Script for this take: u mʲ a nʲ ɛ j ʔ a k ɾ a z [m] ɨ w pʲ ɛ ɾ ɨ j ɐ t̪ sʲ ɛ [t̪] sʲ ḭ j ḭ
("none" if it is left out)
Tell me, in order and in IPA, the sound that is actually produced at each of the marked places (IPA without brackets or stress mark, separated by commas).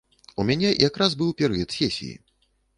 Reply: b, none